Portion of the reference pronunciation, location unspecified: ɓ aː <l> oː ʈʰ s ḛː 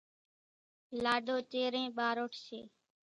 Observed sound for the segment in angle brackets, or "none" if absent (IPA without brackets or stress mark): ɾ